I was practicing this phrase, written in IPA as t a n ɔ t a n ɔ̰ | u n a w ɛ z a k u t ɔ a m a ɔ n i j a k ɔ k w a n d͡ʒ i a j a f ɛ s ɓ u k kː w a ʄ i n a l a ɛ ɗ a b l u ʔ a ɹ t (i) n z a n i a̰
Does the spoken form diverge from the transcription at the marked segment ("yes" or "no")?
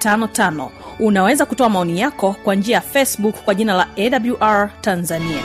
yes